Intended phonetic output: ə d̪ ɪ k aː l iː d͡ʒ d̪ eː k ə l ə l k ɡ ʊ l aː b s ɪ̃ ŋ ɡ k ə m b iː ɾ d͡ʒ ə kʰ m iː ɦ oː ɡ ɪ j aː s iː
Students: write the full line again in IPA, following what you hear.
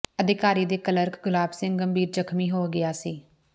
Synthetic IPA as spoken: ə d̪ ɪ k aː ɾ iː d̪ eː k ə l ə ɾ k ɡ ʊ l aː b s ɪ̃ ŋ ɡ ɡ ə m b iː ɾ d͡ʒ ə kʰ m iː ɦ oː ɡ ɪ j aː s iː